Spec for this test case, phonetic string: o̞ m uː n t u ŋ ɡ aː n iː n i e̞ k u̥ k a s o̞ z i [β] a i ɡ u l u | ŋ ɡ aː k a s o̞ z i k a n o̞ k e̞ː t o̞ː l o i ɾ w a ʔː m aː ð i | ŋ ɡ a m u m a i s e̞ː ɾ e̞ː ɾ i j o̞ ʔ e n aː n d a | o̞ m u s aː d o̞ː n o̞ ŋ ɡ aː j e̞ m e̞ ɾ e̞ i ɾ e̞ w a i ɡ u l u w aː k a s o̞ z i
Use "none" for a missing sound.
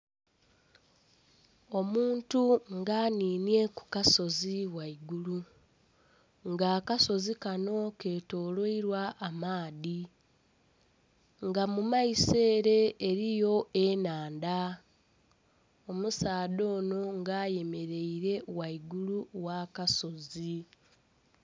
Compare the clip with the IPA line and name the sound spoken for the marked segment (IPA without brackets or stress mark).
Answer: w